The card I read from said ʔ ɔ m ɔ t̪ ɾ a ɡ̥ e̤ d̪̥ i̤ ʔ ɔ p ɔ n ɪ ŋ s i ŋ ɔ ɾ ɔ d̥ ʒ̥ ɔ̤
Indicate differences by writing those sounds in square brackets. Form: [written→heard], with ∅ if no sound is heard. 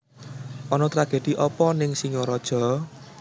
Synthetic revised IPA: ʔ ɔ [m→n] ɔ t̪ ɾ a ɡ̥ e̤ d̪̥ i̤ ʔ ɔ p ɔ n ɪ ŋ s i ŋ ɔ ɾ ɔ d̥ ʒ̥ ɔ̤